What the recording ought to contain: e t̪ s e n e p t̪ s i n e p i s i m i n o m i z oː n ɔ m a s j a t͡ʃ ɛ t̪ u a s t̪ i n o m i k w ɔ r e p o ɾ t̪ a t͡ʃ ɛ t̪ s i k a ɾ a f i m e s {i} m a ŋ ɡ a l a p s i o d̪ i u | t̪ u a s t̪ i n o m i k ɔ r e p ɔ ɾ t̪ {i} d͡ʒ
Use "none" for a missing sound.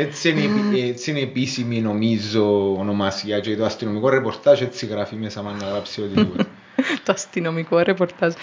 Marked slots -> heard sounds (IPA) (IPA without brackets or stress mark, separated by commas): a, a